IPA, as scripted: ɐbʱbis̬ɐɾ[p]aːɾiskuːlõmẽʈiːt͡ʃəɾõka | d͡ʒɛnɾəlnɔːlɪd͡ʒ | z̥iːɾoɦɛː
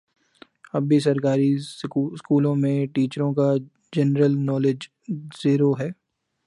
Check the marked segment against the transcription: incorrect: k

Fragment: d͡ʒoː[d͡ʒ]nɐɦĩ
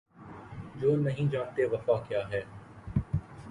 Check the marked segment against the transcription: incorrect: none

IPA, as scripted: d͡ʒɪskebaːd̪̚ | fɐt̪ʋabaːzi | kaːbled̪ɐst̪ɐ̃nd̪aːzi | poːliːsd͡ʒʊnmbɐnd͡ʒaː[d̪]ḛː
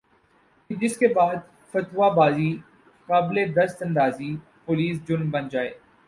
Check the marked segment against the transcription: incorrect: none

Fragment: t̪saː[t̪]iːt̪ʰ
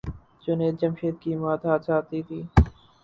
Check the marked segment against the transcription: correct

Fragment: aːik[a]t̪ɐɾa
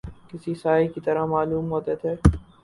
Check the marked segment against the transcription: incorrect: i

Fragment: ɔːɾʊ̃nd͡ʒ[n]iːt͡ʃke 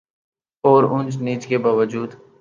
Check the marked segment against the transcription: correct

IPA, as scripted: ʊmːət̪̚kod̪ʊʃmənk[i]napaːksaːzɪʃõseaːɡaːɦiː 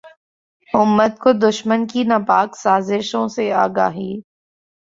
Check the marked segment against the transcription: correct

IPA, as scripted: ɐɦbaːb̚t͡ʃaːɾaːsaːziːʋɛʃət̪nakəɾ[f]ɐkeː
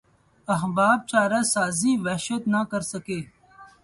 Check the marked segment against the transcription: incorrect: s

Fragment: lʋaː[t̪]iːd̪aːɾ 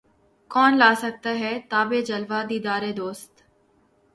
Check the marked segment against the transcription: incorrect: d̪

